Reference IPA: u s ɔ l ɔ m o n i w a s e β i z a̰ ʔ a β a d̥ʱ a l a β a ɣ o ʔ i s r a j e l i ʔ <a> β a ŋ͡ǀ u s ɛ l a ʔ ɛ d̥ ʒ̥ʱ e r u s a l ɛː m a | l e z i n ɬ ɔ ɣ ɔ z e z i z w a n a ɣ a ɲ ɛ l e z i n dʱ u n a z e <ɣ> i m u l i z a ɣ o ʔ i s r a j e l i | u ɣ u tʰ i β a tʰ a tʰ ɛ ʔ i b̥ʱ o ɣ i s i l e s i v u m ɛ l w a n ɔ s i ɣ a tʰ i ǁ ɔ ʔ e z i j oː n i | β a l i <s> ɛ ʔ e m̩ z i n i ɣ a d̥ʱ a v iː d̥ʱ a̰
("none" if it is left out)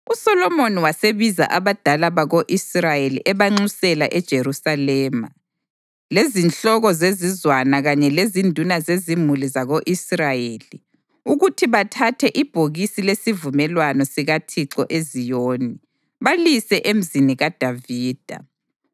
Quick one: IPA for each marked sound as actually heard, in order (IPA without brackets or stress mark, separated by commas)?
ɛ, z, s